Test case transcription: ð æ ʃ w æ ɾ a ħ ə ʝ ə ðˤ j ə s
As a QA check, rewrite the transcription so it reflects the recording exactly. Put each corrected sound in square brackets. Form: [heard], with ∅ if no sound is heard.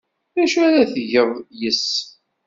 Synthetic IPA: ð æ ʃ [u] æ ɾ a [θ] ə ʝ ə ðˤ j ə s